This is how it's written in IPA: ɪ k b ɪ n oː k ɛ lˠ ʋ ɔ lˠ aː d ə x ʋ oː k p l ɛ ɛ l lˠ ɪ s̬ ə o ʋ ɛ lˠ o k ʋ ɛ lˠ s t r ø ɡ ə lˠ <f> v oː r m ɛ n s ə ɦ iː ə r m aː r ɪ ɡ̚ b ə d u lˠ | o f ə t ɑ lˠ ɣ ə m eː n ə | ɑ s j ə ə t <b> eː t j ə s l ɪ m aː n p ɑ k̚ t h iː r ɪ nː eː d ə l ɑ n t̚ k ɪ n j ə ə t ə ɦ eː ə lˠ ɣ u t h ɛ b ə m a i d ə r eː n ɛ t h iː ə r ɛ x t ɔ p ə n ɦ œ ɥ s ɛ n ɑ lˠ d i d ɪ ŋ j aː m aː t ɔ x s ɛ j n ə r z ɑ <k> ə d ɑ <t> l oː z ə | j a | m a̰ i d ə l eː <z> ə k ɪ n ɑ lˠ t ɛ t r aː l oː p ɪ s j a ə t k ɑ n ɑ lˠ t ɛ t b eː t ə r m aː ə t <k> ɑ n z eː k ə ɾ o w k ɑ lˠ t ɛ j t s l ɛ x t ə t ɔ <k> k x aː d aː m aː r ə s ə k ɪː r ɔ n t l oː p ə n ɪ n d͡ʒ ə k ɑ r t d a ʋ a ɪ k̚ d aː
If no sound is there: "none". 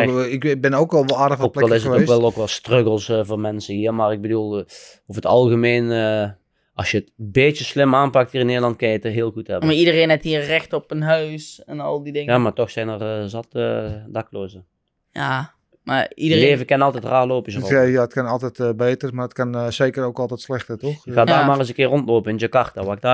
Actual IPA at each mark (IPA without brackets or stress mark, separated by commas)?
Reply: s, b, t, k, v, k, x